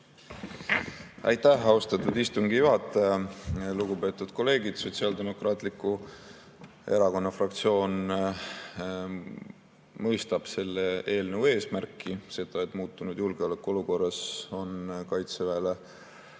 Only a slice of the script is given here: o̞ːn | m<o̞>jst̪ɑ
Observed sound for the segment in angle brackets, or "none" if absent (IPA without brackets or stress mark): ɤ̞